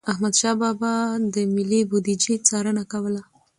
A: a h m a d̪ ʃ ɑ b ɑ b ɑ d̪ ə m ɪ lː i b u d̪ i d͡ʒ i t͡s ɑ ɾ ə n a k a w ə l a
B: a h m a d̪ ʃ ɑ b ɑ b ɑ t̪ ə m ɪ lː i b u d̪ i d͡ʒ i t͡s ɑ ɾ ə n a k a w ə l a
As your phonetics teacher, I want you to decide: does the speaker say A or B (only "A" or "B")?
A